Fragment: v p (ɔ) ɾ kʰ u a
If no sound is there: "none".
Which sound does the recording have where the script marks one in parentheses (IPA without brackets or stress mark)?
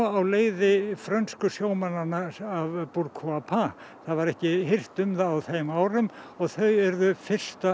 u